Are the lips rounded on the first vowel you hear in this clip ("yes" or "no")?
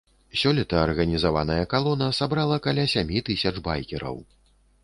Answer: yes